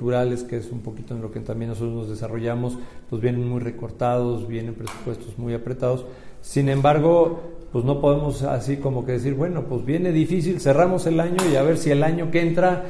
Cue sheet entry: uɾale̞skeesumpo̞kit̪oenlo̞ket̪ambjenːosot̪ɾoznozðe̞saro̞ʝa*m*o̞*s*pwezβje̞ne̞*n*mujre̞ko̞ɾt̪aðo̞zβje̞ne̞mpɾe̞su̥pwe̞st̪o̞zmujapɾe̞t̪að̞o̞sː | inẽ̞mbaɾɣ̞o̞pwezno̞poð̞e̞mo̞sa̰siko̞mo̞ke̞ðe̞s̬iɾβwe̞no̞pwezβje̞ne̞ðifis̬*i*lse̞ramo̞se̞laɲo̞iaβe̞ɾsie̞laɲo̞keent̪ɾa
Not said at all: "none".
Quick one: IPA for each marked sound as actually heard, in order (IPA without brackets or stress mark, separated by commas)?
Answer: m, s, n, i